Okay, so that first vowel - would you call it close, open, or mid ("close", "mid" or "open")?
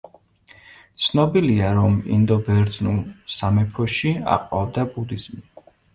mid